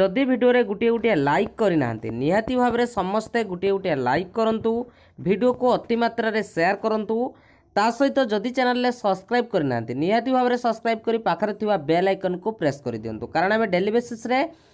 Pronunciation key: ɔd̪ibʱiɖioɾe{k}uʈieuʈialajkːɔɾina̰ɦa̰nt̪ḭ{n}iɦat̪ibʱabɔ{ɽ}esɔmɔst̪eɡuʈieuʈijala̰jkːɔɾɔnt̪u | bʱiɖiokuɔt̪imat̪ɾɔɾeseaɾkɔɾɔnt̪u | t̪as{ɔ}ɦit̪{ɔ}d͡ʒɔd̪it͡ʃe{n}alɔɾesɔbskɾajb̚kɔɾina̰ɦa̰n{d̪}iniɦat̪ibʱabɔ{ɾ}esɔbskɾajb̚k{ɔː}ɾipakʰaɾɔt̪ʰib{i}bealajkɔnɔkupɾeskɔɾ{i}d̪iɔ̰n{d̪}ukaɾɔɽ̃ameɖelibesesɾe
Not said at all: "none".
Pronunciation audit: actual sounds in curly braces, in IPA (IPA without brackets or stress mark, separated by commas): ɡ, n, ɾ, ɔ, ɔ, n, t̪, ɾ, ɔ, a, i, t̪